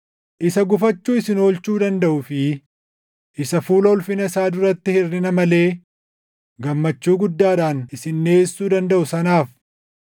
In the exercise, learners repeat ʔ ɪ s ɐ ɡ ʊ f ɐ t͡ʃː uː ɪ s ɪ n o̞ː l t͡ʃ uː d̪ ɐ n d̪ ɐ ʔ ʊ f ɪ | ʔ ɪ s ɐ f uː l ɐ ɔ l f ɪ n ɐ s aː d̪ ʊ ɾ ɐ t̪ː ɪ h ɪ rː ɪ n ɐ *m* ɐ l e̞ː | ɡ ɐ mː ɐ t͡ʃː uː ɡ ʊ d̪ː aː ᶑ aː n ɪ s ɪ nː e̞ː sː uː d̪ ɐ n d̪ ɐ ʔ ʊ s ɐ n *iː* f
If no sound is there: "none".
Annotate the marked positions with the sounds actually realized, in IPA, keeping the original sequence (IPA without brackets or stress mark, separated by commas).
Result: m, aː